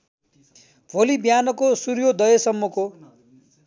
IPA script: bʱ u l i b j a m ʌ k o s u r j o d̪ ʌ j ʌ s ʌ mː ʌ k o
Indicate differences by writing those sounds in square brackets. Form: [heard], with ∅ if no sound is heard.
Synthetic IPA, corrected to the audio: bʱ [o] l i b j a [n] ʌ k o s u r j o d̪ ʌ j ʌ s ʌ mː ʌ k o

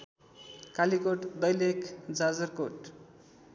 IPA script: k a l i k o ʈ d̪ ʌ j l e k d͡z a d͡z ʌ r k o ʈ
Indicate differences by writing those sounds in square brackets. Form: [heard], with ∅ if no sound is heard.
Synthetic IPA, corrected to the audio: k a l i k o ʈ d̪ ʌ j l e k d͡z a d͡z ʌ r k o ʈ

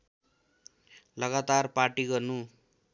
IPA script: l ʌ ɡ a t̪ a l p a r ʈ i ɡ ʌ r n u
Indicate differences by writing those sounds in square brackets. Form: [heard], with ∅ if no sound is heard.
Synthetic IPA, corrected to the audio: l ʌ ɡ a t̪ a [r] p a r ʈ i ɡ ʌ r n u

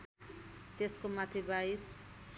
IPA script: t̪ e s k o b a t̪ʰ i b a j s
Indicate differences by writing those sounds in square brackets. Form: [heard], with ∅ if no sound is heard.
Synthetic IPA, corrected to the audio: t̪ e s k o [m] a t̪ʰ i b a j s

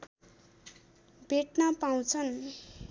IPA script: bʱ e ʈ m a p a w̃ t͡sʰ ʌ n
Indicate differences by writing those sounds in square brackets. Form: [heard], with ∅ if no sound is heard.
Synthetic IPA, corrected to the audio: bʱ e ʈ [n] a p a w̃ t͡sʰ ʌ n

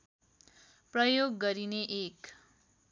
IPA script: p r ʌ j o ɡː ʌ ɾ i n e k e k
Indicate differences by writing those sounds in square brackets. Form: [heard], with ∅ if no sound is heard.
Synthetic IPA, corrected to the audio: p r ʌ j o ɡː ʌ ɾ i n e [ʔ] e k

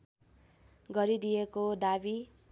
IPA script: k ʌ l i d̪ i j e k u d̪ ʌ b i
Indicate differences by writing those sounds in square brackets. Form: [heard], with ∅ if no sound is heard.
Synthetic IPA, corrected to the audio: [ɡ] ʌ [ɾ] i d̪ i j e k [o] d̪ [a] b i

